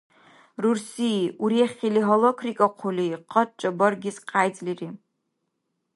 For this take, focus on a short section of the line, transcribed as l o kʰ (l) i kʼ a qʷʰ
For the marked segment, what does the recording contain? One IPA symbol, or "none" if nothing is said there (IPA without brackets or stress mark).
r